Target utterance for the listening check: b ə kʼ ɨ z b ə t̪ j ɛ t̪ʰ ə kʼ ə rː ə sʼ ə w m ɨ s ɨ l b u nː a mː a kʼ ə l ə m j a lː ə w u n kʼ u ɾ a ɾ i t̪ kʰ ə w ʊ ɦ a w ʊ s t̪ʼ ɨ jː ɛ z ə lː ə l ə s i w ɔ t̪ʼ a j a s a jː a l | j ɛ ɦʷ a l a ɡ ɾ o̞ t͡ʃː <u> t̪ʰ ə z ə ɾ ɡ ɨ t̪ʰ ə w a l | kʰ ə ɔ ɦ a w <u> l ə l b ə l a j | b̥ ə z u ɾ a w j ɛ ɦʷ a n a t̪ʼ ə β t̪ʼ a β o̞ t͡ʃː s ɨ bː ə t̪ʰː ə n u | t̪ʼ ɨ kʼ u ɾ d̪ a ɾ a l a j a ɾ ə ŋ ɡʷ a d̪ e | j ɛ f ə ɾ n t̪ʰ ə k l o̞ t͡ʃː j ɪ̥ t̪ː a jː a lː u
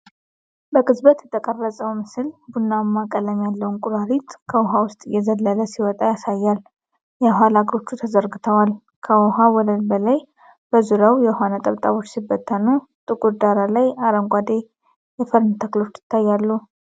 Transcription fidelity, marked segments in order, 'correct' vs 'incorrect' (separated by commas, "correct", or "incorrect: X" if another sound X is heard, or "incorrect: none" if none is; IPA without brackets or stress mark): correct, incorrect: ɔ